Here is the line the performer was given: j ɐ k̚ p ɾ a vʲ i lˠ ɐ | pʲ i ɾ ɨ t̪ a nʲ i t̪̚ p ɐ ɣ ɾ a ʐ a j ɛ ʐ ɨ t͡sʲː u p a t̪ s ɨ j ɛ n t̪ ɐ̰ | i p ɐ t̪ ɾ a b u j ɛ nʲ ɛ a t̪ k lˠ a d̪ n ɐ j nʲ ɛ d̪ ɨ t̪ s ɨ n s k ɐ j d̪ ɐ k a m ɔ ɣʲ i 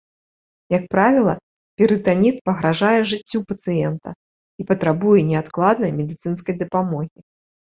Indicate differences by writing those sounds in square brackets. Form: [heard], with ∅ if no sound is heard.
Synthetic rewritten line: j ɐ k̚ p ɾ a vʲ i lˠ ɐ | pʲ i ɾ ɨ t̪ a nʲ i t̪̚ p ɐ ɣ ɾ a ʐ a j ɛ ʐ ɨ t͡sʲː u p [ɐ] t̪ s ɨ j ɛ n t̪ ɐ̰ | i p ɐ t̪ ɾ a b u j ɛ nʲ ɛ a t̪ k lˠ a d̪ n ɐ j [mʲ] ɛ d̪ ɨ t̪ s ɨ n s k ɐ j d̪ ɐ [p] a m ɔ ɣʲ i